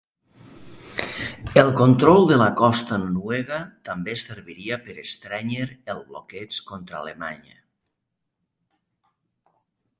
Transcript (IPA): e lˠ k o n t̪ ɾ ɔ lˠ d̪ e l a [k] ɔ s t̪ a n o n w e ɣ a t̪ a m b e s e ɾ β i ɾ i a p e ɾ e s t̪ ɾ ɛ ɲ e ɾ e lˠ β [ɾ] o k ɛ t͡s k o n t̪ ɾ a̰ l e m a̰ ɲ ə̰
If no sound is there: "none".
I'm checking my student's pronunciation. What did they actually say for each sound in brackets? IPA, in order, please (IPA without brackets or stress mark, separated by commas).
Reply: k, l